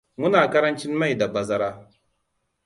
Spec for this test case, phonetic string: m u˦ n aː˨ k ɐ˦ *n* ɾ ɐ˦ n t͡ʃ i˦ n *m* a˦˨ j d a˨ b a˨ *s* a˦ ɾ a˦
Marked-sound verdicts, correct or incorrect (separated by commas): incorrect, correct, incorrect